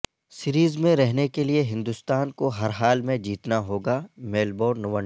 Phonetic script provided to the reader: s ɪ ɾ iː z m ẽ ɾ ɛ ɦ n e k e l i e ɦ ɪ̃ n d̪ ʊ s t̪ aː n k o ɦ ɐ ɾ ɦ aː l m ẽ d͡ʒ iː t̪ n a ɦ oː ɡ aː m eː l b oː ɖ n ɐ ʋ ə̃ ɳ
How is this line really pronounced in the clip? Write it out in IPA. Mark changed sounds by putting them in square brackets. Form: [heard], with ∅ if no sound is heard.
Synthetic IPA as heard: s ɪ ɾ iː z m ẽ ɾ ɛ ɦ n e k e l i e ɦ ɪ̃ n d̪ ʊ s t̪ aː n k o ɦ ɐ ɾ ɦ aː l m ẽ d͡ʒ iː t̪ n a ɦ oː ɡ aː m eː l b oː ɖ n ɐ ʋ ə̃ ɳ

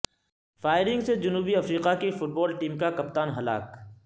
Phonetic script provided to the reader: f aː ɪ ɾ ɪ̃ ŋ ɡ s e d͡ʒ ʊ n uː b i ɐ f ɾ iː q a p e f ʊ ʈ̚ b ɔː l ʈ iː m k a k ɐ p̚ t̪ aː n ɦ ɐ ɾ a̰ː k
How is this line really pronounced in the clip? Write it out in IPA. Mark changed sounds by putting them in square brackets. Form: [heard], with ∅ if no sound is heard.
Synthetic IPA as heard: f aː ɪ ɾ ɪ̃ ŋ ɡ s e d͡ʒ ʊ n uː b i ɐ f ɾ iː q a [k] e f ʊ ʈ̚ b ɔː l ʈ iː m k a k ɐ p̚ t̪ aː n ɦ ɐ [l] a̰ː k

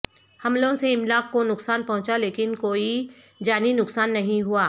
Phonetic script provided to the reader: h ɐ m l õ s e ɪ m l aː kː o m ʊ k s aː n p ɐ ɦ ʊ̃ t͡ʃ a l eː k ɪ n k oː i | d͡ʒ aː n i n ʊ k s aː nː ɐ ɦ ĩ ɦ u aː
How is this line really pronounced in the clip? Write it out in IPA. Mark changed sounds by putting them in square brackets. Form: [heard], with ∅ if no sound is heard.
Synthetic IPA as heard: h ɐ m l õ s e ɪ m l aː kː o [n] ʊ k s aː n p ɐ ɦ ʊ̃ t͡ʃ a l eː k ɪ n k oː i | d͡ʒ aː n i n ʊ k s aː nː ɐ ɦ ĩ ɦ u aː

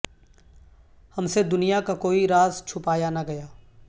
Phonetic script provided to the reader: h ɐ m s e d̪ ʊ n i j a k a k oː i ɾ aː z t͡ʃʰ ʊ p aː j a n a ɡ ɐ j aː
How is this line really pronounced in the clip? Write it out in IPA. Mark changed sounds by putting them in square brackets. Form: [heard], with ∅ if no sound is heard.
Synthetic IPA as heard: h ɐ m s e d̪ ʊ n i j a k a k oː i ɾ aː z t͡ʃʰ ʊ p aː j a n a ɡ ɐ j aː

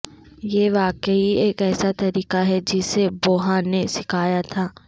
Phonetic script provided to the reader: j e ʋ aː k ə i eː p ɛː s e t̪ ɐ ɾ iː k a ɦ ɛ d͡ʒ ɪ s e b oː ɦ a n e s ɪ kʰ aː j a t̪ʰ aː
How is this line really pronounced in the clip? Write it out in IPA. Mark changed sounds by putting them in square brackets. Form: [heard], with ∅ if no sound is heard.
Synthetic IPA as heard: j e ʋ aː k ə i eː [k] ɛː s [a] t̪ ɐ ɾ iː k a ɦ ɛ d͡ʒ ɪ s e b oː ɦ a n e s ɪ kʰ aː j a t̪ʰ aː

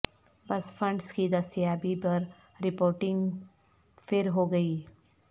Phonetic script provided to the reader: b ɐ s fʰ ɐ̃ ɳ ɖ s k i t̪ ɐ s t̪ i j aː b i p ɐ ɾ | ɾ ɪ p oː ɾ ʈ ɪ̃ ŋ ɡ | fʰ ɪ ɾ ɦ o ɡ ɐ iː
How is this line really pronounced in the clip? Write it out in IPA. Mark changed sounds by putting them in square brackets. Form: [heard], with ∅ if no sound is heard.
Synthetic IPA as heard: b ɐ s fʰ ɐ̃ ɳ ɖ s k i [d̪] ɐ s t̪ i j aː b i p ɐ ɾ | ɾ ɪ p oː ɾ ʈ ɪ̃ ŋ ɡ | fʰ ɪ ɾ ɦ o ɡ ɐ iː

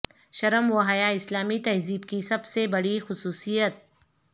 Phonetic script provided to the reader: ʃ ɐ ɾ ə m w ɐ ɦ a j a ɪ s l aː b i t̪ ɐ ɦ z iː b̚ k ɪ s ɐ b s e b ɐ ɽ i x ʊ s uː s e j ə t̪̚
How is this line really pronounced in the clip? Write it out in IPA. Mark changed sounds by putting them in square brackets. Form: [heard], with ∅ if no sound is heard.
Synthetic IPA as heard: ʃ ɐ ɾ ə m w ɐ ɦ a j a ɪ s l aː [m] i t̪ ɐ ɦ z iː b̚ k [i] s ɐ b s e b ɐ ɽ i x ʊ s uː s [i] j ə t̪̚

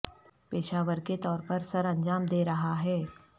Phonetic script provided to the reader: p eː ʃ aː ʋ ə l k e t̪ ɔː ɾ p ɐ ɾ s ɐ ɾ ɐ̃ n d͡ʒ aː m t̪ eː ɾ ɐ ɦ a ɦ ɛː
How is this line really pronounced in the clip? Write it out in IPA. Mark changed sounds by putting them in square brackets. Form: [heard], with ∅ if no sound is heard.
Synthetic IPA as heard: p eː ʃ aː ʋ ə [ɾ] k e t̪ ɔː ɾ p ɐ ɾ s ɐ ɾ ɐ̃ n d͡ʒ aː m [d̪] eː ɾ ɐ ɦ a ɦ ɛː

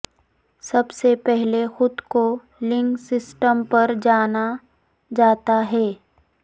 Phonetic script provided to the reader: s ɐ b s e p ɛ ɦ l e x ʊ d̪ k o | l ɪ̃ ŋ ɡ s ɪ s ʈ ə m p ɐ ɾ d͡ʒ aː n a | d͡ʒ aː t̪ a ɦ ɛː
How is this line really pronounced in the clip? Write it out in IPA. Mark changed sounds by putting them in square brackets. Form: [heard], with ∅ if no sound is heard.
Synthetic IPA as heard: s ɐ b s e p ɛ ɦ l e x ʊ d̪ k o | l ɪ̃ ŋ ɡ s ɪ s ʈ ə m p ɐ ɾ d͡ʒ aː n a | d͡ʒ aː t̪ a ɦ ɛː

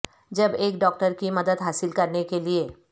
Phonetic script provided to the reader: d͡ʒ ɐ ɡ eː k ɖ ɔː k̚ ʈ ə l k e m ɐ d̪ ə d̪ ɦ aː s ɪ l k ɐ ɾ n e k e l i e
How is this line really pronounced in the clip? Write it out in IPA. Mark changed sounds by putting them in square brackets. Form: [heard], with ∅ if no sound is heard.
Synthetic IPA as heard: d͡ʒ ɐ [b] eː k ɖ ɔː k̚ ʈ ə [ɾ] k [i] m ɐ d̪ ə d̪ ɦ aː s ɪ l k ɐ ɾ n e k e l i e

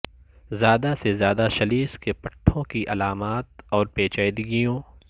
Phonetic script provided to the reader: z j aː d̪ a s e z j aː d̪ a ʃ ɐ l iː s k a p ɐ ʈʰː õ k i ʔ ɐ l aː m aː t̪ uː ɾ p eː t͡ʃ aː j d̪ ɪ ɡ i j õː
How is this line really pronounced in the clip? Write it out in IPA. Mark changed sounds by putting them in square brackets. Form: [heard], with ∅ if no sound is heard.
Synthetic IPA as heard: z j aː d̪ a s e z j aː d̪ a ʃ ɐ l iː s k [e] p ɐ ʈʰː õ k i ʔ ɐ l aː m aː t̪ [ɔː] ɾ p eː t͡ʃ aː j d̪ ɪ ɡ i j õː

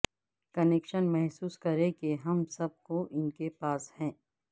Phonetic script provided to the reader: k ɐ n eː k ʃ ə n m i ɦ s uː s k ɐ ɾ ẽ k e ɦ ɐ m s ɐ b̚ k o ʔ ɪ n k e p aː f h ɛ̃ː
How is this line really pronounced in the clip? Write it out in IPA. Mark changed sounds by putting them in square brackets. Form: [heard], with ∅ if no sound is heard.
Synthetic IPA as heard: k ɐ n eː k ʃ ə n m [ɛ] ɦ s uː s k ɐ ɾ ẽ k e ɦ ɐ m s ɐ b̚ k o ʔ ɪ n k e p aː [s] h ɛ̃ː

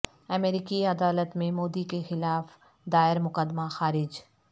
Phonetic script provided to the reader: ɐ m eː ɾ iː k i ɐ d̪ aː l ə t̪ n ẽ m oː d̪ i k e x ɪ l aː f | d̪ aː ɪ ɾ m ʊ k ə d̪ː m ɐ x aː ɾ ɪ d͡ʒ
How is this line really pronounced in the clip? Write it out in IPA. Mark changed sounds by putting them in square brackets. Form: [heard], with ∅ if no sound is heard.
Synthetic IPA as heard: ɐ m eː ɾ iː k i ɐ d̪ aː l ə t̪ [m] ẽ m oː d̪ i k e x ɪ l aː f | d̪ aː ɪ ɾ m ʊ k ə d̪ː m [a] x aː ɾ ɪ d͡ʒ

